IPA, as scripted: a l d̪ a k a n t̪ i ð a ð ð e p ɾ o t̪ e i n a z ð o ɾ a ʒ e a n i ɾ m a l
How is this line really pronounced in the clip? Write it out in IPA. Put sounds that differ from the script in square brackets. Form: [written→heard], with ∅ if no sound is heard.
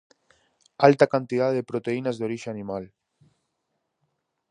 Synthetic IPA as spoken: a l [d̪→t̪] a k a n t̪ i ð a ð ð e p ɾ o t̪ e i n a z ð o ɾ [a→i] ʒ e a n i [ɾ→∅] m a l